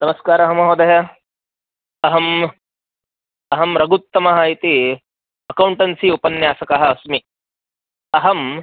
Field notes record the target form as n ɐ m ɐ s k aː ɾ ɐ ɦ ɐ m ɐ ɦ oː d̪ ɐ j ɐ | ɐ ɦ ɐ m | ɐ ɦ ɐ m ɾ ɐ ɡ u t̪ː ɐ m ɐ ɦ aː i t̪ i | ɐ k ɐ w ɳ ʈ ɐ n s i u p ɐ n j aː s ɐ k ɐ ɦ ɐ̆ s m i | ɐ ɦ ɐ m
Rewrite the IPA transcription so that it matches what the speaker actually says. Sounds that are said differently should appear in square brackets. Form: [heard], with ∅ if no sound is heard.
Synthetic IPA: n ɐ m ɐ s k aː ɾ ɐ ɦ ɐ m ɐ ɦ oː d̪ ɐ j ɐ | ɐ ɦ ɐ m | ɐ ɦ ɐ m ɾ ɐ ɡ u t̪ː ɐ m ɐ ɦ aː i t̪ i | ɐ k ɐ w ɳ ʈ ɐ n s i u p ɐ n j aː s ɐ k ɐ ɦ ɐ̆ s m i | ɐ ɦ ɐ m

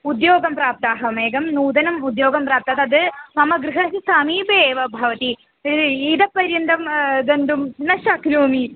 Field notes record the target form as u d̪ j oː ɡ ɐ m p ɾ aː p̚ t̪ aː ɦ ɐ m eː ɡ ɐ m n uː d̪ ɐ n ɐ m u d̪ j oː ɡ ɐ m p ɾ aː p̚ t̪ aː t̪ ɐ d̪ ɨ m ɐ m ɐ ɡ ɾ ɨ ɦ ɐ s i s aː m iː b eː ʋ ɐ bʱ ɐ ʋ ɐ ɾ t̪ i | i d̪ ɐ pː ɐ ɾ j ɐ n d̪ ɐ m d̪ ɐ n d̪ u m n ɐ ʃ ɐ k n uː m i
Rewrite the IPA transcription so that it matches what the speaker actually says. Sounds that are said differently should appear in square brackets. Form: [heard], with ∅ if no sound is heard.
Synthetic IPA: u d̪ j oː ɡ ɐ m p ɾ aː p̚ t̪ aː ɦ ɐ m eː ɡ ɐ m n uː d̪ ɐ n ɐ m u d̪ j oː ɡ ɐ m p ɾ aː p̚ t̪ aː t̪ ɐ d̪ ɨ m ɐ m ɐ ɡ ɾ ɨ ɦ ɐ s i s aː m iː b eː ʋ ɐ bʱ ɐ ʋ ɐ [∅] t̪ i | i d̪ ɐ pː ɐ ɾ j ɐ n d̪ ɐ m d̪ ɐ n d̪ u m n ɐ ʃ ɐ k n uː m i

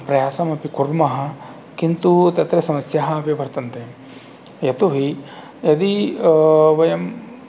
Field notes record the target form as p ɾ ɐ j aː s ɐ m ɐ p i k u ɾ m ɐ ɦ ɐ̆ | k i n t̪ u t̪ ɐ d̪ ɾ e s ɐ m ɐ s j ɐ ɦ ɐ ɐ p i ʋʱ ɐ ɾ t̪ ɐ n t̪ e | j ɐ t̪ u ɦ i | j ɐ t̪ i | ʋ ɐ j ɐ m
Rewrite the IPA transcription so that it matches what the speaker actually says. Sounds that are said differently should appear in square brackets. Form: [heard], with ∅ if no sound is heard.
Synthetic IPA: p ɾ ɐ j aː s ɐ m ɐ p i k u ɾ m ɐ ɦ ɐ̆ | k i n t̪ u t̪ ɐ [t̪] ɾ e s ɐ m ɐ s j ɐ ɦ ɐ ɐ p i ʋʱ ɐ ɾ t̪ ɐ n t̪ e | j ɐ t̪ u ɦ i | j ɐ [d̪] i | ʋ ɐ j ɐ m

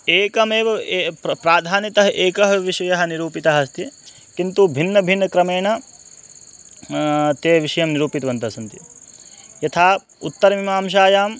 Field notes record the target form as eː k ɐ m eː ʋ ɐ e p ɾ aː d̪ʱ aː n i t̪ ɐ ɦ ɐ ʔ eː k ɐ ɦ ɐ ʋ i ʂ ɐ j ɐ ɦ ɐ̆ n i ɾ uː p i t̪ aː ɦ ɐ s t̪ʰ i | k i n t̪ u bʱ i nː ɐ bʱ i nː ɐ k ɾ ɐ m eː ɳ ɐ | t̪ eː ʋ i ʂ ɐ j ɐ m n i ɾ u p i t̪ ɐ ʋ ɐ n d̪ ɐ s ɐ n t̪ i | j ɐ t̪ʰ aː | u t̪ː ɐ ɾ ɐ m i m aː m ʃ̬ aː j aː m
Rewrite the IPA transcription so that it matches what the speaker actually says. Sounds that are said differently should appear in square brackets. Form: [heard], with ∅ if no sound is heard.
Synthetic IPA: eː k ɐ m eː ʋ ɐ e p ɾ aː d̪ʱ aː n i t̪ ɐ ɦ ɐ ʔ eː k ɐ ɦ ɐ ʋ i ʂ ɐ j ɐ ɦ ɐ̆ n i ɾ uː p i t̪ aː ɦ ɐ s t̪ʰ i | k i n t̪ u bʱ i nː ɐ bʱ i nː ɐ k ɾ ɐ m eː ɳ ɐ | t̪ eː ʋ i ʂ ɐ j ɐ m n i ɾ [uː] p i t̪ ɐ ʋ ɐ n [t̪] ɐ s ɐ n t̪ i | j ɐ t̪ʰ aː | u t̪ː ɐ ɾ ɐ m i m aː m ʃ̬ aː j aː m

